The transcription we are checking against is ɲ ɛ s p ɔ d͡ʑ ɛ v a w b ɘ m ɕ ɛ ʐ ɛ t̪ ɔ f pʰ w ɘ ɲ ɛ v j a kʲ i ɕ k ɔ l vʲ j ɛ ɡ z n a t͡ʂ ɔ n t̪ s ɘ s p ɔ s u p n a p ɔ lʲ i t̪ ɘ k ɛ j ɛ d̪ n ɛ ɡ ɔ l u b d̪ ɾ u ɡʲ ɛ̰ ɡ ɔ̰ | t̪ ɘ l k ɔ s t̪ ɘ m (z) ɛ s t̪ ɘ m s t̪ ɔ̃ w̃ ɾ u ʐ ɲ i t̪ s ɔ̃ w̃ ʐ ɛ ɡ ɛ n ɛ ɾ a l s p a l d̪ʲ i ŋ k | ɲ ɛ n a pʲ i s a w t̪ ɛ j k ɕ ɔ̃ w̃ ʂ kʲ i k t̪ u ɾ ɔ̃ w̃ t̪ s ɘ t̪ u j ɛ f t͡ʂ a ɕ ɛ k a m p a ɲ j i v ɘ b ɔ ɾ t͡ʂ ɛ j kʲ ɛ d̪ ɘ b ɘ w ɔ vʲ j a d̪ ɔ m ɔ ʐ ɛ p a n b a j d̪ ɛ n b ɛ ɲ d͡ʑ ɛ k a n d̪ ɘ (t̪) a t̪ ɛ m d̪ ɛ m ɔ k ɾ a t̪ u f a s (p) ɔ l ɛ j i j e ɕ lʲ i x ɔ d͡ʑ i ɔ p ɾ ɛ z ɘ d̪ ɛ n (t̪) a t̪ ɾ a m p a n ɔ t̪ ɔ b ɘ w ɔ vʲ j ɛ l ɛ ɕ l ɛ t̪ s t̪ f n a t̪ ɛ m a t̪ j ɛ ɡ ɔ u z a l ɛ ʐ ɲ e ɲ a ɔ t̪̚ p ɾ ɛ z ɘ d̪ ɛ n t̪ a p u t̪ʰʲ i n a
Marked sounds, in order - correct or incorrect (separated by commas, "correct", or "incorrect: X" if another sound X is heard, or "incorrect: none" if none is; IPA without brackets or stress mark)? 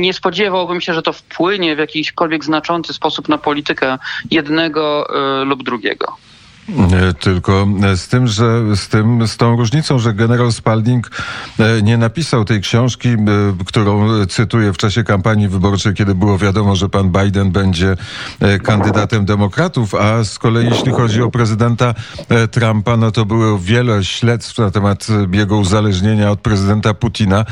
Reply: incorrect: ʐ, incorrect: d̪, incorrect: k, correct